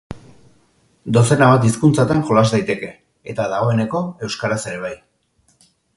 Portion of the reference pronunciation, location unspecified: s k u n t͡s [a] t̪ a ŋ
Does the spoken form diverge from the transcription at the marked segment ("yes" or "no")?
no